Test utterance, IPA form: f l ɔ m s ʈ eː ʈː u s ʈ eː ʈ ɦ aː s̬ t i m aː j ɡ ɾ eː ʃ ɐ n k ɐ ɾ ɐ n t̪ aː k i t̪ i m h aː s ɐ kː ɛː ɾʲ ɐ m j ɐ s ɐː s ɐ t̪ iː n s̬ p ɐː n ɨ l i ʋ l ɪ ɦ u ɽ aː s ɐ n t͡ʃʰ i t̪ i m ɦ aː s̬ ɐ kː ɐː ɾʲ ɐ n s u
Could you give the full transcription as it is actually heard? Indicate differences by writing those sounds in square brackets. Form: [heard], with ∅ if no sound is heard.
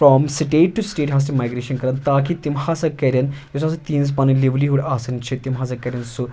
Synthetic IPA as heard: f [ɾ] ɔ m s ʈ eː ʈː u s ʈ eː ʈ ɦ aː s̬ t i m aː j ɡ ɾ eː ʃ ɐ n k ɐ ɾ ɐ n t̪ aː k i t̪ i m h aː s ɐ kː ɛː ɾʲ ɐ [n] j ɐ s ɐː s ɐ t̪ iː n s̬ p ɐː n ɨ l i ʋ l [i] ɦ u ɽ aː s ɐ n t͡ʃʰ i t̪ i m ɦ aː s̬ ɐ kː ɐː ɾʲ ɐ n s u